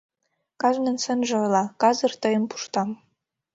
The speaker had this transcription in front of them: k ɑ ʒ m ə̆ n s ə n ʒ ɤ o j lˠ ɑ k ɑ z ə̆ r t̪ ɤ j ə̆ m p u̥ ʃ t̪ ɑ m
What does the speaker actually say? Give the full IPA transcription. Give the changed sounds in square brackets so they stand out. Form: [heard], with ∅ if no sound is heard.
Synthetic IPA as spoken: k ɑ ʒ [n] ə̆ n s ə n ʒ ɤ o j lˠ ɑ k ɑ z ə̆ r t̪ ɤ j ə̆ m p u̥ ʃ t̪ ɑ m